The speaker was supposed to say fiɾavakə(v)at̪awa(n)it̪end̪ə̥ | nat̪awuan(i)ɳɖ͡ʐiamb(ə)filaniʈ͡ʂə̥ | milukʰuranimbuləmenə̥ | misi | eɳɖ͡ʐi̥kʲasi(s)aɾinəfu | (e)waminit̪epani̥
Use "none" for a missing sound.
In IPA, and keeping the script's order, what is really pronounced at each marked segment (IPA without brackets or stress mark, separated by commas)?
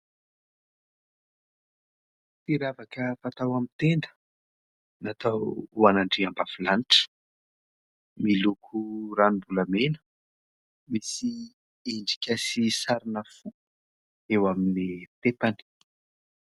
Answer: f, m, a, a, s, e